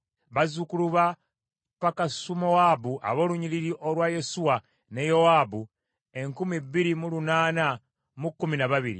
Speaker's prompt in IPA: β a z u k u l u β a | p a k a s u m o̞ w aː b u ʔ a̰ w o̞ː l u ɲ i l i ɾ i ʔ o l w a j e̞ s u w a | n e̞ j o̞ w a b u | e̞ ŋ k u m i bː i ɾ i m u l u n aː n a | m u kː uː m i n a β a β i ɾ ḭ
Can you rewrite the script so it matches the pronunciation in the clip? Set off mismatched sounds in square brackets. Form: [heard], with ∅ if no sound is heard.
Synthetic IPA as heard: β a z u k u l u β a | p a k a s u m o̞ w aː b u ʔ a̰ [β] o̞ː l u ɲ i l i ɾ i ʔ o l w a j e̞ s u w a | n e̞ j o̞ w a b u | e̞ ŋ k u m i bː i ɾ i m u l u n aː n a | m u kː [u] m i n a β a β i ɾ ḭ